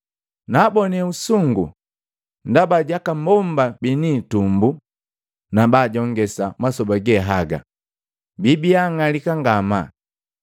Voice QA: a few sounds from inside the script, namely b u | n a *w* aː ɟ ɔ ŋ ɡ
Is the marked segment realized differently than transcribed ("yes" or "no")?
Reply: yes